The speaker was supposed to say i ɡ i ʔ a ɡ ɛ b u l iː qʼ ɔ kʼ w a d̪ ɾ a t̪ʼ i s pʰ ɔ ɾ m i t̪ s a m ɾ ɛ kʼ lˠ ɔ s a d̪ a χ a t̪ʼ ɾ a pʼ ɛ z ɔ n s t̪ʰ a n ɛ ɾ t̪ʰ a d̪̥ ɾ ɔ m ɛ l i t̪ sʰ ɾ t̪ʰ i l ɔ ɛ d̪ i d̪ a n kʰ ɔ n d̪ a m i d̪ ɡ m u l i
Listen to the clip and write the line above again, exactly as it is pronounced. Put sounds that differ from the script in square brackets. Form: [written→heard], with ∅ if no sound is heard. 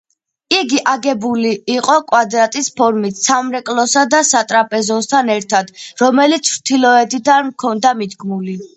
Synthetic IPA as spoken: i ɡ i ʔ a ɡ ɛ b u l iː qʼ ɔ kʼ w a d̪ ɾ a t̪ʼ i s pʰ ɔ ɾ m i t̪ s a m ɾ ɛ kʼ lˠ ɔ s a d̪ a [χ→s] a t̪ʼ ɾ a pʼ ɛ z ɔ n s t̪ʰ a n ɛ ɾ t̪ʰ a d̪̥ ɾ ɔ m ɛ l i t̪ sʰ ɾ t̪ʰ i l ɔ ɛ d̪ i d̪ a n kʰ ɔ n d̪ a m i d̪ ɡ m u l i